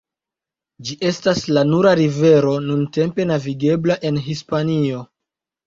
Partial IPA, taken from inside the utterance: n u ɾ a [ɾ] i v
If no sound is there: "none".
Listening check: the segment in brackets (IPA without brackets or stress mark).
ɾ